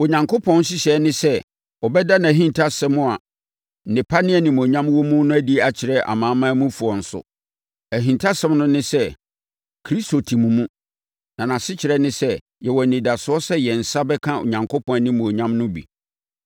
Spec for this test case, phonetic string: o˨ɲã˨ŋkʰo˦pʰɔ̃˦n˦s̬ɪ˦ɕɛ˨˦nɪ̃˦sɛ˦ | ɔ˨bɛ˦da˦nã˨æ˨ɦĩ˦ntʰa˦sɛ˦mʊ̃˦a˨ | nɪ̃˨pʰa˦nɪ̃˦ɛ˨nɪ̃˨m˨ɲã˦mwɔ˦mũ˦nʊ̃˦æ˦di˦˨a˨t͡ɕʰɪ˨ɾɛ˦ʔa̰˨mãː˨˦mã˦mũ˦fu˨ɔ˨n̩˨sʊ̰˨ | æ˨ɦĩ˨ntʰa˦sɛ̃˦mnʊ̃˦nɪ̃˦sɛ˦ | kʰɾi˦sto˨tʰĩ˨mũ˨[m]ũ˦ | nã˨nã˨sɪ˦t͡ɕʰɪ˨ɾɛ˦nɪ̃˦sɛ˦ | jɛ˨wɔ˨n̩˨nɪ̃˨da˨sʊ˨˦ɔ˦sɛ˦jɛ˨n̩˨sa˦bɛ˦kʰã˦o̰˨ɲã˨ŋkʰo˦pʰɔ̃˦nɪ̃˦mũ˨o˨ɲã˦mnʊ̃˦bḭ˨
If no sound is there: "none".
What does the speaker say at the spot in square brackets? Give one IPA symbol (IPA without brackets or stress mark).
m